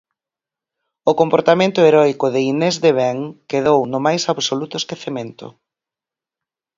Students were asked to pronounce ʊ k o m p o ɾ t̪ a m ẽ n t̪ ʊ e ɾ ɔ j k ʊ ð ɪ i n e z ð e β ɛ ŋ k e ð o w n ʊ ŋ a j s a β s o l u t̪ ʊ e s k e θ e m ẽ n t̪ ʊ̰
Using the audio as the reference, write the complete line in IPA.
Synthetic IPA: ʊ k o m p o ɾ t̪ a m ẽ n t̪ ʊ e ɾ ɔ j k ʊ ð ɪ i n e z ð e β ɛ ŋ k e ð o w n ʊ m a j s a β s o l u t̪ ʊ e s k e θ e m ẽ n t̪ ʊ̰